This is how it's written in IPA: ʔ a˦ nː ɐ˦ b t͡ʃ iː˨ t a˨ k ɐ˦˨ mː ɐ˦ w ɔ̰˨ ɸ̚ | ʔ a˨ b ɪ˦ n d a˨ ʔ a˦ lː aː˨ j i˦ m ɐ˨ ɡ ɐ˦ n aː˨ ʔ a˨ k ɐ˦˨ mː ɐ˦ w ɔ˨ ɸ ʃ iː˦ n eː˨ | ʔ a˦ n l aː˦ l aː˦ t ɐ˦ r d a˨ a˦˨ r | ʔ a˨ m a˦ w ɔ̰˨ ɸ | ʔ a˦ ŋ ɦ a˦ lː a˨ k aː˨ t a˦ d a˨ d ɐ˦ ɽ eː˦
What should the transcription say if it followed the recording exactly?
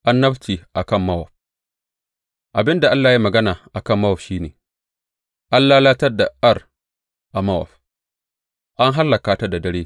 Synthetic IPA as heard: ʔ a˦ nː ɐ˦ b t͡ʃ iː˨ ʔ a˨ k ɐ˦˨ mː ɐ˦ w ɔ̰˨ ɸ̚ | ʔ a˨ b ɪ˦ n d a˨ ʔ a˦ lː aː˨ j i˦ m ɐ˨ ɡ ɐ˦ n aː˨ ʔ a˨ k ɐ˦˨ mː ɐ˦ w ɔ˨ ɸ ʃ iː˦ n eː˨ | ʔ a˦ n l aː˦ l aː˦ t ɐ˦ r d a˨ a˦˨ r | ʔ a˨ m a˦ w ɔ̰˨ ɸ | ʔ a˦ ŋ ɦ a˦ lː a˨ k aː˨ t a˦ d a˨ d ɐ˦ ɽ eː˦